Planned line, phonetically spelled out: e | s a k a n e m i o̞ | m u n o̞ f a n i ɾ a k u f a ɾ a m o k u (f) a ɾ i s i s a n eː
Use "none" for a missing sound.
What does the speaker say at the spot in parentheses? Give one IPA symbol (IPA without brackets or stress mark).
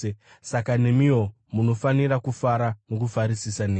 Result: f